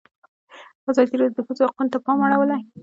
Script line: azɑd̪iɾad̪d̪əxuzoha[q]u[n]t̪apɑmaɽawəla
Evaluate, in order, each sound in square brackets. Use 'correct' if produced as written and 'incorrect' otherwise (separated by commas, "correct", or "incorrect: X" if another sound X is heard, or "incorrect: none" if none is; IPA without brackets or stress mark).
correct, correct